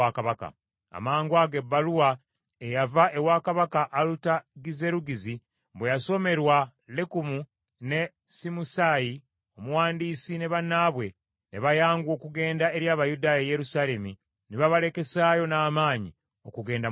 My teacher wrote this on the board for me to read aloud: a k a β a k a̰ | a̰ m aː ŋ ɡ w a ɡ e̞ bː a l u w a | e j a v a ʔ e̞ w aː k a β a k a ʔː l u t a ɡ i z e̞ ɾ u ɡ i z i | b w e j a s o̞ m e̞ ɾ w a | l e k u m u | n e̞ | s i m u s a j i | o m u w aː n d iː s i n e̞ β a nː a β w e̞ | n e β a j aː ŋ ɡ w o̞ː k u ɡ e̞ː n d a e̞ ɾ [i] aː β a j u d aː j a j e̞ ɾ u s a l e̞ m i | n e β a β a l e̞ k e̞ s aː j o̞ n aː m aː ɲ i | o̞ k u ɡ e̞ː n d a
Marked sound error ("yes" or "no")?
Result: yes